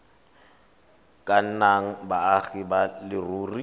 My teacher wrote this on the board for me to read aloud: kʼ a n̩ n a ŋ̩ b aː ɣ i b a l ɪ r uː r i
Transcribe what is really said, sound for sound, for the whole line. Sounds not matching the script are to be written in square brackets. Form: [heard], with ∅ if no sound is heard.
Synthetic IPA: kʼ a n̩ n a ŋ̩ b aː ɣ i b a l ɪ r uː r i